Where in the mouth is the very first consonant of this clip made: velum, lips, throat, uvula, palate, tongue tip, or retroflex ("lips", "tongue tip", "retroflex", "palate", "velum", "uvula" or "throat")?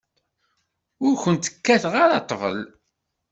tongue tip